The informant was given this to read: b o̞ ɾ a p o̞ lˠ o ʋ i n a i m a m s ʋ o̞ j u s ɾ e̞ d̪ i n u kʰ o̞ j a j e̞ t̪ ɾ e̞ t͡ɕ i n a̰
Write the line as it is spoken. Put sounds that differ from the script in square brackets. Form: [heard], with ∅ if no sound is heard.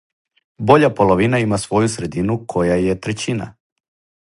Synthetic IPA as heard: b o̞ [ʎ] a p o̞ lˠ o ʋ i n a i m a [∅] s ʋ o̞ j u s ɾ e̞ d̪ i n u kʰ o̞ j a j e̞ t̪ ɾ e̞ t͡ɕ i n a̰